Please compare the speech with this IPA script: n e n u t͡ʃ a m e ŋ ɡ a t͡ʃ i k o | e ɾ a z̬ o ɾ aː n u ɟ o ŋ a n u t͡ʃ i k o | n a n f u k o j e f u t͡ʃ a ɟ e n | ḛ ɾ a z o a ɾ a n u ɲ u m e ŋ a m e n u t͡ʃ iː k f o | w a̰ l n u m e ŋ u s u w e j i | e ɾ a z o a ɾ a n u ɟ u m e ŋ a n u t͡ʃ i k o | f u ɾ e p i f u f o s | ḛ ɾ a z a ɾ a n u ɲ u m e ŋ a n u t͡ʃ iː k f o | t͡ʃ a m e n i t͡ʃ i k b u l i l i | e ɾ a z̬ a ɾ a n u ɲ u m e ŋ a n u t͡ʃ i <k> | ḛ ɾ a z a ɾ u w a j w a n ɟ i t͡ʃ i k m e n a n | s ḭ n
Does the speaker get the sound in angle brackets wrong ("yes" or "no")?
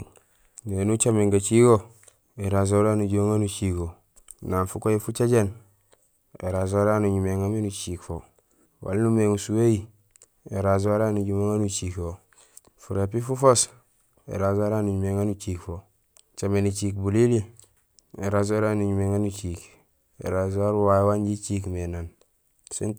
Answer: no